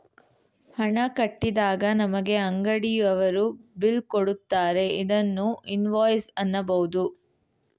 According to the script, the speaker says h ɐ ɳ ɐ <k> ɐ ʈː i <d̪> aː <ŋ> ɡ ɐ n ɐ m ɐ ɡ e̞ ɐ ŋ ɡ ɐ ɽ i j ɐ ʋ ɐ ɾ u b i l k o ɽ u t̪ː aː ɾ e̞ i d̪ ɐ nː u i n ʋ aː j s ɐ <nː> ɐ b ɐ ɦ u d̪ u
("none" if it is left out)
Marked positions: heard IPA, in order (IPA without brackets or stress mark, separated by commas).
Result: k, d̪, none, nː